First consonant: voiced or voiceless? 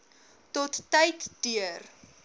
voiceless